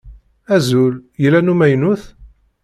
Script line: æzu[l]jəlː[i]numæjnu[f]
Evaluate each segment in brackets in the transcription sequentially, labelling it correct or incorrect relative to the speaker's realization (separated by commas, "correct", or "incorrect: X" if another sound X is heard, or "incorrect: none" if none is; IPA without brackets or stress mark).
correct, incorrect: æ, incorrect: θ